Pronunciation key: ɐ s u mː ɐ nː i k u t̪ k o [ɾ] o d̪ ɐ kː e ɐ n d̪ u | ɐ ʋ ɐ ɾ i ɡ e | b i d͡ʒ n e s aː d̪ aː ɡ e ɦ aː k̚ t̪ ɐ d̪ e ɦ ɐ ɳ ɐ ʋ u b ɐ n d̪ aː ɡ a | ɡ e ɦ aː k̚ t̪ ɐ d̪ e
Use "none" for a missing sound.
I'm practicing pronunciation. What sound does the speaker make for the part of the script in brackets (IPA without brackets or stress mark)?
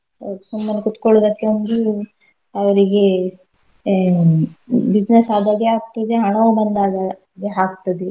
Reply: ɭ